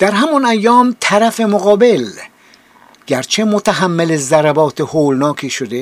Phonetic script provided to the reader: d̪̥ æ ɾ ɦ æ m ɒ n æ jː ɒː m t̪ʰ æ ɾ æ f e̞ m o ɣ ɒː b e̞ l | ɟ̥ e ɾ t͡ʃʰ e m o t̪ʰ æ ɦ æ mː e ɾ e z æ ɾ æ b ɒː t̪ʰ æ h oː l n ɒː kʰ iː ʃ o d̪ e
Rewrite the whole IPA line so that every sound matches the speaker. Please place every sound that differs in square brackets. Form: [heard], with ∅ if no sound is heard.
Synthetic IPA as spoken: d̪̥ æ ɾ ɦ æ m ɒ n æ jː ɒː m t̪ʰ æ ɾ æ f e̞ m o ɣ ɒː b e̞ l | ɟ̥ [æ] ɾ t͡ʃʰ e m o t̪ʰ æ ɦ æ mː e [l] e z æ ɾ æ b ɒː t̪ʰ [e] h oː l n ɒː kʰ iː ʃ o d̪ e